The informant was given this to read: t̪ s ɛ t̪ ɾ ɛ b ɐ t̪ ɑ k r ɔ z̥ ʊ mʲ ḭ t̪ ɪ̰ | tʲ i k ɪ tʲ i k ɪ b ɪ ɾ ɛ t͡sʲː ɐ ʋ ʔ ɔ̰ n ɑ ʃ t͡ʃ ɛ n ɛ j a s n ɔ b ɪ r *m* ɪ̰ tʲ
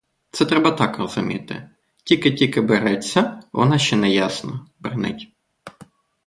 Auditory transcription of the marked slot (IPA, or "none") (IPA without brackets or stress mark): n